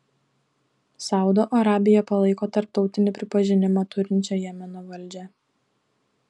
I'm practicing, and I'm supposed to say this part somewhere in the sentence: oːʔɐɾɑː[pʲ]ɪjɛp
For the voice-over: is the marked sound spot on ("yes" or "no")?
no